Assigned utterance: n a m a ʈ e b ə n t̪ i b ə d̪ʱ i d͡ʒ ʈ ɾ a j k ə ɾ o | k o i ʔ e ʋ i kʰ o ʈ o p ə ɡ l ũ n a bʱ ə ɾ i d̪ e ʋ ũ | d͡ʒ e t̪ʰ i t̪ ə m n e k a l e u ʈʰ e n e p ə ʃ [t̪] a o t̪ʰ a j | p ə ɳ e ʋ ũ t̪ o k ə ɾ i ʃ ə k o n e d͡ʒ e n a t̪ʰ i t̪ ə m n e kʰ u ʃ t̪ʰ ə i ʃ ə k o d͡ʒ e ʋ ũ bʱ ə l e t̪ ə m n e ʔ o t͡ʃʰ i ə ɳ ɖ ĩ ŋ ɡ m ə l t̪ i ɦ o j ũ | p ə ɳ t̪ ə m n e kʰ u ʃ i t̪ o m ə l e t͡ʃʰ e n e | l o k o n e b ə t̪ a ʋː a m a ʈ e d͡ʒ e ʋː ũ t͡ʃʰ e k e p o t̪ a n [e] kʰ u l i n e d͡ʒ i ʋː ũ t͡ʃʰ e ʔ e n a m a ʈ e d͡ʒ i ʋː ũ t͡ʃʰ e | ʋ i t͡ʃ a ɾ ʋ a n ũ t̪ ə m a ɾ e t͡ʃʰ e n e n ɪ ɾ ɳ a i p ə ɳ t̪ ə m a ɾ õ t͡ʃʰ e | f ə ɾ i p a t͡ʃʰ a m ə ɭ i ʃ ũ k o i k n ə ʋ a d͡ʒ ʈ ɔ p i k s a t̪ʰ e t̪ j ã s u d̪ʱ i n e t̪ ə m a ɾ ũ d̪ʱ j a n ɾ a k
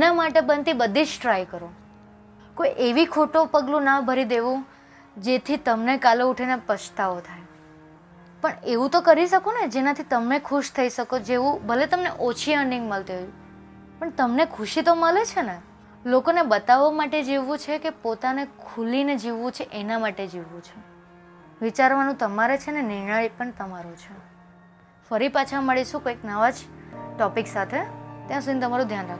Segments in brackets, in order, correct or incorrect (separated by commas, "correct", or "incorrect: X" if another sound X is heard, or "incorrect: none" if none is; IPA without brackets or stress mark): correct, correct